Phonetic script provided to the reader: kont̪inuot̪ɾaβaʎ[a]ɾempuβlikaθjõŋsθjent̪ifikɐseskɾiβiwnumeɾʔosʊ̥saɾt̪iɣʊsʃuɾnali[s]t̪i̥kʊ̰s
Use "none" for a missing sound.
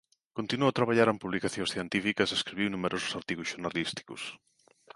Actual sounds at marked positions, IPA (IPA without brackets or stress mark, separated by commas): a, s